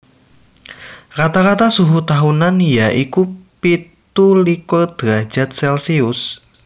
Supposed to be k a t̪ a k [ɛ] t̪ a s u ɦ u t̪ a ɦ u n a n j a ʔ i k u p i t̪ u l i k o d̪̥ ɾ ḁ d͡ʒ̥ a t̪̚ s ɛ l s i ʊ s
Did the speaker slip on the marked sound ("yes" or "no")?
yes